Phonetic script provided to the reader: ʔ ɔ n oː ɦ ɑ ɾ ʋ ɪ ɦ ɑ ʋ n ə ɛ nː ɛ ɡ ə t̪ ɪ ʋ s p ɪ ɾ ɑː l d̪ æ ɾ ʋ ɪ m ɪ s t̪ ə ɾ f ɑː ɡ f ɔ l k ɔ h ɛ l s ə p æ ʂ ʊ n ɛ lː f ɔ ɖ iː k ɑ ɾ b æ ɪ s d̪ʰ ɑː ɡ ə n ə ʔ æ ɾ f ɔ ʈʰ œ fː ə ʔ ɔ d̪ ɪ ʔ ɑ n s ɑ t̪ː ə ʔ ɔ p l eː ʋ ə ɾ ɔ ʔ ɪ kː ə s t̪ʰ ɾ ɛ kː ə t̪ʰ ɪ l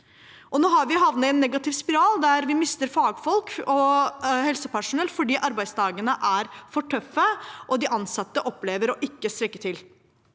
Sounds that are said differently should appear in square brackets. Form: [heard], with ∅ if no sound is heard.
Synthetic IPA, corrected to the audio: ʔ ɔ n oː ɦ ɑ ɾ ʋ ɪ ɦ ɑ ʋ n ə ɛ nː ɛ ɡ [ɑ] t̪ ɪ ʋ s p ɪ ɾ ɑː l d̪ æ ɾ ʋ ɪ m ɪ s t̪ ə ɾ f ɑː ɡ f ɔ l k ɔ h ɛ l s ə p æ ʂ ʊ n ɛ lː f ɔ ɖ iː [ʔ] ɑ ɾ b æ ɪ s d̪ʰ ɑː ɡ ə n ə ʔ æ ɾ f ɔ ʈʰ œ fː ə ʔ ɔ d̪ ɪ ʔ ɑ n s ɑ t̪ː ə ʔ ɔ p l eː ʋ ə ɾ ɔ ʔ ɪ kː ə s [t̪] ɾ ɛ kː ə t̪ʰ ɪ l